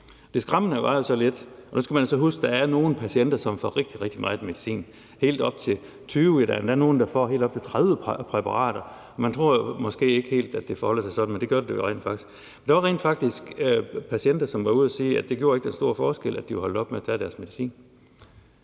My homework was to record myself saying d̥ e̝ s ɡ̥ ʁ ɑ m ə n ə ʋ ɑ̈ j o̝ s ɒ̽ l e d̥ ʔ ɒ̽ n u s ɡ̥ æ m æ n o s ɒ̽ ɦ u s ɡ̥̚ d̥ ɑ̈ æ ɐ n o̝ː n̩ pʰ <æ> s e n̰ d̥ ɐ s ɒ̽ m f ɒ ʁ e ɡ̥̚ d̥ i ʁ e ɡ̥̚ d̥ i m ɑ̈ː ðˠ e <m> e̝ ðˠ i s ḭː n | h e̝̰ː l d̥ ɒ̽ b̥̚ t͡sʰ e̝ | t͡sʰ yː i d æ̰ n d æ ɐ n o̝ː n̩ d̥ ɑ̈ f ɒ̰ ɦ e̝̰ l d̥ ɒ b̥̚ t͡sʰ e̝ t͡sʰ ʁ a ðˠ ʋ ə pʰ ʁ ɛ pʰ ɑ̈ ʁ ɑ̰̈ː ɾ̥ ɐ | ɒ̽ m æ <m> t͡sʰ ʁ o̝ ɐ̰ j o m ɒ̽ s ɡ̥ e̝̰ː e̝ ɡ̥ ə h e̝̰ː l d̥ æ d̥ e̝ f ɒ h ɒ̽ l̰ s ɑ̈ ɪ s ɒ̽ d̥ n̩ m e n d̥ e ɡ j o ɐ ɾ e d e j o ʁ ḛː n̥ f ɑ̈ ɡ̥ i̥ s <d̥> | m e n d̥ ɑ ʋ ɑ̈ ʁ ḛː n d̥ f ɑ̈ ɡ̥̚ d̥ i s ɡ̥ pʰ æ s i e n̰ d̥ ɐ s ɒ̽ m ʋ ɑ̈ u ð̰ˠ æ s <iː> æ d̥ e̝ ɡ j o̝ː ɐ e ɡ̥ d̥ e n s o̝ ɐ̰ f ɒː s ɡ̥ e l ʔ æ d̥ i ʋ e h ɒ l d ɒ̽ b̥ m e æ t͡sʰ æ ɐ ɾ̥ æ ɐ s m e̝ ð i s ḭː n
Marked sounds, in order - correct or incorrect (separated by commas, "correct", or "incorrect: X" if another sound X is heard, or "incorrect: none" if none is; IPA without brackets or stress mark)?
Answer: correct, correct, incorrect: n, incorrect: ɡ̥, correct